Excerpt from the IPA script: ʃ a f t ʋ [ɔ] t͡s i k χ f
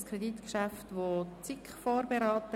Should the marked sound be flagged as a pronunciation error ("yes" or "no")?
yes